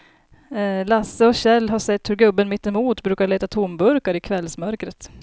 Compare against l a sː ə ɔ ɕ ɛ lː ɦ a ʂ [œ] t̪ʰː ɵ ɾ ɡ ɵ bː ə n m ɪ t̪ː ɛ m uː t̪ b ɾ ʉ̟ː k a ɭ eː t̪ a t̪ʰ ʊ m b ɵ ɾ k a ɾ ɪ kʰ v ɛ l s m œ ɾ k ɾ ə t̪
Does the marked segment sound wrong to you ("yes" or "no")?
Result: yes